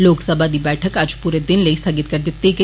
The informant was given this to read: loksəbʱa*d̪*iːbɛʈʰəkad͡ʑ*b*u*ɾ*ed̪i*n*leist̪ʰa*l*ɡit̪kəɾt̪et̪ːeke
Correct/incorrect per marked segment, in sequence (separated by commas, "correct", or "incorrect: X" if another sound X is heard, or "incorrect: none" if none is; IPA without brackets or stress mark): correct, incorrect: p, correct, correct, incorrect: none